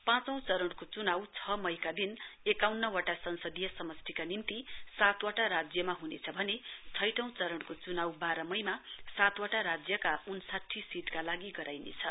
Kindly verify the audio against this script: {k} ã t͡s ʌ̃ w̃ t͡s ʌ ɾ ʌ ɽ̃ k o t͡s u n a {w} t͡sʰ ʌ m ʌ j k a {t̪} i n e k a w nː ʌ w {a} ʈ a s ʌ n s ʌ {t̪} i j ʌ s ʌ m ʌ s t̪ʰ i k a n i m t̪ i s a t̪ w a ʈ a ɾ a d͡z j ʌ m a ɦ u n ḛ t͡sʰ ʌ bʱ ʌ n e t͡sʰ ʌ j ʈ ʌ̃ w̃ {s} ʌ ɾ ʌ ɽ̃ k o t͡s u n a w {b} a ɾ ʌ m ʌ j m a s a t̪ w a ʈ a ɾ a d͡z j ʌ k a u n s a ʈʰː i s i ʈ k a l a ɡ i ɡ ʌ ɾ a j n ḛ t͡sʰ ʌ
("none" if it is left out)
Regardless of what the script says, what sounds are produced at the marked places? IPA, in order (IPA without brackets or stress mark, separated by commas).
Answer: p, w, d̪, a, d̪, t͡s, b